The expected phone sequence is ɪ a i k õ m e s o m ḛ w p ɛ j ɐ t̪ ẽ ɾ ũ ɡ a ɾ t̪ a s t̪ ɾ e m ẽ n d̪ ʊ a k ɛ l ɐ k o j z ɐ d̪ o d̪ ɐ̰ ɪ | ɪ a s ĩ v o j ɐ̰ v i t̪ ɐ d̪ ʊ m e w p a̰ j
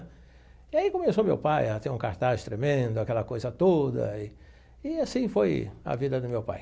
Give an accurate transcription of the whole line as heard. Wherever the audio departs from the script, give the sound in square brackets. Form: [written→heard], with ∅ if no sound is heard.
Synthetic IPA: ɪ a i k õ m e s o m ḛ w p [ɛ→a] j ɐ t̪ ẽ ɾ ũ [ɡ→k] a ɾ t̪ a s t̪ ɾ e m ẽ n d̪ ʊ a k ɛ l ɐ k o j z ɐ [d̪→t̪] o d̪ ɐ̰ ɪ | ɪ a s ĩ [v→f] o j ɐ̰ v i [t̪→d̪] ɐ d̪ ʊ m e w p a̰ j